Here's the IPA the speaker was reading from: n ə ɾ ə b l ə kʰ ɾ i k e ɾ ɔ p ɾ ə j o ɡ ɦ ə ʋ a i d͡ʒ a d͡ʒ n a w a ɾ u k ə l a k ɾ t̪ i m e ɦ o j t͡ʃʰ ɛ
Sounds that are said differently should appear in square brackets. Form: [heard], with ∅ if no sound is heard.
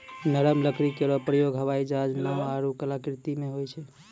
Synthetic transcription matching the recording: n ə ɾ ə [m] l ə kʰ ɾ i k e ɾ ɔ p ɾ ə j o ɡ ɦ ə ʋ a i d͡ʒ a d͡ʒ n a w a ɾ u k ə l a k ɾ t̪ i m e ɦ o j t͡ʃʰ ɛ